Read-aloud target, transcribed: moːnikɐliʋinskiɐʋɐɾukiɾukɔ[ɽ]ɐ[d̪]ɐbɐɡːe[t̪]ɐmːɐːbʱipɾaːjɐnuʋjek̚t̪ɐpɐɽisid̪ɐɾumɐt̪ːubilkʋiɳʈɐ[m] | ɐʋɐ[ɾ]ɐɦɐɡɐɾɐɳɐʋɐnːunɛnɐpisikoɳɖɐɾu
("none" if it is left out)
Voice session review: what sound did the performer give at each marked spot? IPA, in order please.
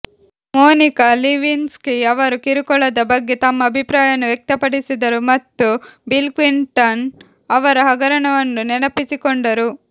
ɭ, d̪, t̪, n, ɾ

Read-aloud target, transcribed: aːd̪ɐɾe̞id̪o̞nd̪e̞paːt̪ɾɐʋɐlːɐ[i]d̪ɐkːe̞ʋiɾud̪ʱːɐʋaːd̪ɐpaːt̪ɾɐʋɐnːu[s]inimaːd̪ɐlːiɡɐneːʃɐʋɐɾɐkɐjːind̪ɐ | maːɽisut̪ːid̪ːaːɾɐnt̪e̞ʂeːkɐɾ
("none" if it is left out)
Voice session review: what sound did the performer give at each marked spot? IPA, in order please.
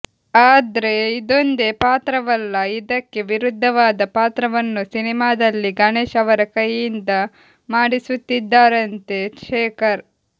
i, s

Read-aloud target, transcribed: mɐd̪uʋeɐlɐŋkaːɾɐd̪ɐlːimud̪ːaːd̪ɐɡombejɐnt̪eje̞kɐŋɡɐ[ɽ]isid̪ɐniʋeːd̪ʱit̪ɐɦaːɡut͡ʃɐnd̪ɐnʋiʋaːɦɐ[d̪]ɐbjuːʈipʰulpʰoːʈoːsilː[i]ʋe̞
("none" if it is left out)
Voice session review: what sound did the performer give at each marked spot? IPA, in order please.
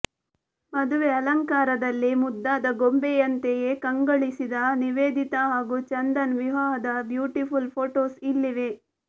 ɭ, d̪, i

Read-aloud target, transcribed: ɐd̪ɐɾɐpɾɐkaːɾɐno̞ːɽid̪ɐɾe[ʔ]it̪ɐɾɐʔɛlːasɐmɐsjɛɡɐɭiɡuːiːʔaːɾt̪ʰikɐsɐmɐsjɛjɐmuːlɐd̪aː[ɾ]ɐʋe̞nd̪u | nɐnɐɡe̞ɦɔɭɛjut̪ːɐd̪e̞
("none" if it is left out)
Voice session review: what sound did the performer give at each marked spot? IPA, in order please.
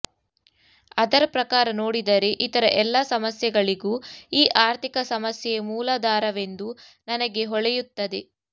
ʔ, ɾ

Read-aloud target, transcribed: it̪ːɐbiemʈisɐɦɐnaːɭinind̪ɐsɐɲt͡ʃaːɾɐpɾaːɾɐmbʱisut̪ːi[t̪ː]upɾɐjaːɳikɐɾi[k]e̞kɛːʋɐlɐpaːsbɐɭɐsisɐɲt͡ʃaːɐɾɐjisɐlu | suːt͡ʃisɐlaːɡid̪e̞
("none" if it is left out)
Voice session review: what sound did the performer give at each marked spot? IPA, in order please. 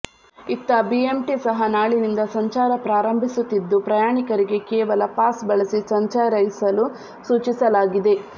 d̪ː, ɡ

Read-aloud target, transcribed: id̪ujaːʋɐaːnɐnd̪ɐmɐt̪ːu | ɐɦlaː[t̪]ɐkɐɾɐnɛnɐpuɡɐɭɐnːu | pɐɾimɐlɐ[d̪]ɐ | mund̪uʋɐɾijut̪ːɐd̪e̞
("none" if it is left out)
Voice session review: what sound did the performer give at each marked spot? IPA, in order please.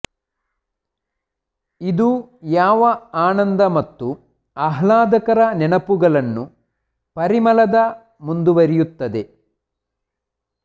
d̪, d̪

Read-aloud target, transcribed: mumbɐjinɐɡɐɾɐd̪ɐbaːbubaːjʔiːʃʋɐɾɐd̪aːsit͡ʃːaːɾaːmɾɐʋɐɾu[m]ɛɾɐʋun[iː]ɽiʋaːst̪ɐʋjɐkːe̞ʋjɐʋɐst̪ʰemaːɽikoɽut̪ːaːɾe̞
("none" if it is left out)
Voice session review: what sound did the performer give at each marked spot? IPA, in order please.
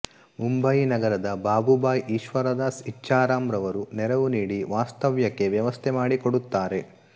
n, iː

